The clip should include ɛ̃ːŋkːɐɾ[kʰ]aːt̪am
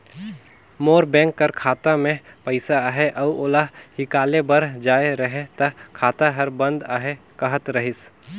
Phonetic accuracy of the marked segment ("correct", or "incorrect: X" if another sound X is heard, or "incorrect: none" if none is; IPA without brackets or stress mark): correct